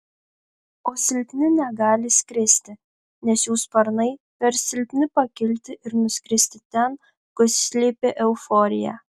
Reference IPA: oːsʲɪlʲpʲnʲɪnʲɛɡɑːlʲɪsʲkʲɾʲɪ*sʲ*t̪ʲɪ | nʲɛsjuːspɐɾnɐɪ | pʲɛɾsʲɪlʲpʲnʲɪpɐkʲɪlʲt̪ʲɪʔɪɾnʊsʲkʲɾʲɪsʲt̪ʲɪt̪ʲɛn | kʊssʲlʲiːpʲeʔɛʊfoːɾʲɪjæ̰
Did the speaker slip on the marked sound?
no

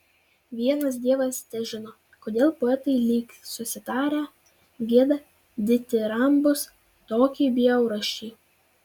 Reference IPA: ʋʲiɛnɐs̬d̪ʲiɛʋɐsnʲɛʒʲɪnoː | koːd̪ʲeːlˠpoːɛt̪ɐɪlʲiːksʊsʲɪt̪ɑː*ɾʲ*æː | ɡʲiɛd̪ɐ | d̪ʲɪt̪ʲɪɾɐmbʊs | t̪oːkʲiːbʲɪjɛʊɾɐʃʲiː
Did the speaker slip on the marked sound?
no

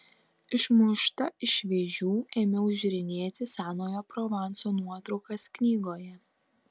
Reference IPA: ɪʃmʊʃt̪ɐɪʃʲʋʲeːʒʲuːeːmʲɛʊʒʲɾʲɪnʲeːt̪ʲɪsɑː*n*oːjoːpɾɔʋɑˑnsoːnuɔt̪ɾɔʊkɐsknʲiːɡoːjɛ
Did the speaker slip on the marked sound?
no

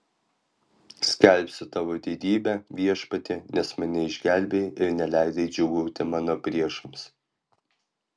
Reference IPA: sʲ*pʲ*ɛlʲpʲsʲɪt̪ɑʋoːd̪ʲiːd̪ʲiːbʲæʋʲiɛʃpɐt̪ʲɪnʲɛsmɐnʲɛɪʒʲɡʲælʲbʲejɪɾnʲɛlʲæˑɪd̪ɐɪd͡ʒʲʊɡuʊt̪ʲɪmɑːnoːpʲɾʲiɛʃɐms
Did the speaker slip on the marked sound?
yes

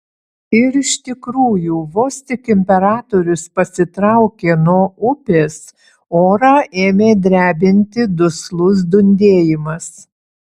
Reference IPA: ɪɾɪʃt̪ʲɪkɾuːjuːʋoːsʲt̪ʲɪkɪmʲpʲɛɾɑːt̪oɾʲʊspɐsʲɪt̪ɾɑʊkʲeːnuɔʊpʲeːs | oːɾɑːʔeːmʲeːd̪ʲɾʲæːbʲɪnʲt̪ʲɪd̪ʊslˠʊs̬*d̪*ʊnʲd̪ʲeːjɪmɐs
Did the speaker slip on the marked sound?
no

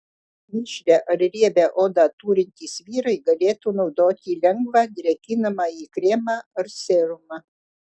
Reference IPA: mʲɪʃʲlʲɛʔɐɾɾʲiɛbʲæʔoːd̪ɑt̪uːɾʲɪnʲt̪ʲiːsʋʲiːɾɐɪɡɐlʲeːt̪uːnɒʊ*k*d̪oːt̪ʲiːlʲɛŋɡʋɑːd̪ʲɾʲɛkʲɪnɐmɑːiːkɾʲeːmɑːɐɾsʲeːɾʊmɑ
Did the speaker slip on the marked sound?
yes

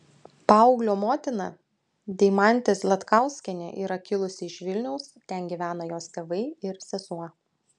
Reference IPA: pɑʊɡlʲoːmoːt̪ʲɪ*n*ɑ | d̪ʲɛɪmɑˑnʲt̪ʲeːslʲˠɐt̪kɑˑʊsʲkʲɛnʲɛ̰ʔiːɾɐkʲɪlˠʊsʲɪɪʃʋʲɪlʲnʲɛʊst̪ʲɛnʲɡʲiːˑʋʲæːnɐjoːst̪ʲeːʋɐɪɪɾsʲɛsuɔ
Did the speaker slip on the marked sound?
no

